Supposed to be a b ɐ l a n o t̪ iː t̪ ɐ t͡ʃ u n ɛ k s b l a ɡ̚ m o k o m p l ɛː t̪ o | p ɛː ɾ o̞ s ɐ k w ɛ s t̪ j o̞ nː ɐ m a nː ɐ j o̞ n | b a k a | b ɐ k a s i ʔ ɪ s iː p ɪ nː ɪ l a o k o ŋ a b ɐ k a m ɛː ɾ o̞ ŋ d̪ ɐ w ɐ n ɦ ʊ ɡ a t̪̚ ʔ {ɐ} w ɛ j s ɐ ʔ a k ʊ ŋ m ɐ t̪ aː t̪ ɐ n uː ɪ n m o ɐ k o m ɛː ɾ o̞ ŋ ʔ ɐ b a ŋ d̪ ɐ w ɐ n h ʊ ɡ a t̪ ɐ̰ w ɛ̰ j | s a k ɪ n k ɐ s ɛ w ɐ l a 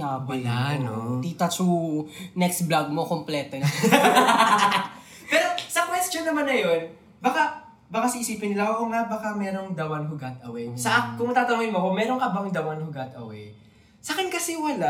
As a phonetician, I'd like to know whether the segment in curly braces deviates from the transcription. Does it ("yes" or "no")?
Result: no